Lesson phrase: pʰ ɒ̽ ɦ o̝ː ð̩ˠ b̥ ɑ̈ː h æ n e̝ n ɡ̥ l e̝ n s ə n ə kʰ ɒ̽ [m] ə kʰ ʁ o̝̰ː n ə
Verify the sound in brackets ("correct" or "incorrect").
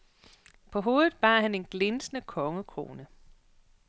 incorrect